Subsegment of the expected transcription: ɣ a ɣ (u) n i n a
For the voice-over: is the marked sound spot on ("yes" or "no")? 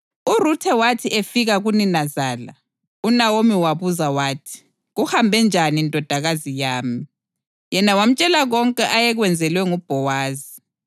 yes